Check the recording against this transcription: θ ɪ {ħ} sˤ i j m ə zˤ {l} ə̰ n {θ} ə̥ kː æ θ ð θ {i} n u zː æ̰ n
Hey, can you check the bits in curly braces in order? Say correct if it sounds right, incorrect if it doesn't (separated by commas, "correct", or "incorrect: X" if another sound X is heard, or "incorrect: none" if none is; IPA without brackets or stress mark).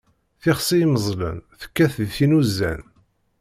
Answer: incorrect: χ, correct, correct, correct